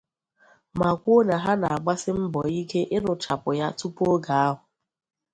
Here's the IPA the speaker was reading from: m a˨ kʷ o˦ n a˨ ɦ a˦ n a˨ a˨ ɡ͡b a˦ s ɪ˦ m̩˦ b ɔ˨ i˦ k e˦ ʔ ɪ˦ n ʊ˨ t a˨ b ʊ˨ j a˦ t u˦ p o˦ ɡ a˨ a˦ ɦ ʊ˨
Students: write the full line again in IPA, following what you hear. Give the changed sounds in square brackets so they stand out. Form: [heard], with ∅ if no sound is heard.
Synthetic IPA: m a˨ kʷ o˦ n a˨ ɦ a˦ n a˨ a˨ ɡ͡b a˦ s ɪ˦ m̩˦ b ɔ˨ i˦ k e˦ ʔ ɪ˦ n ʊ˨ [t͡ʃ] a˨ [p] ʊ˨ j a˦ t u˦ p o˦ ɡ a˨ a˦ ɦ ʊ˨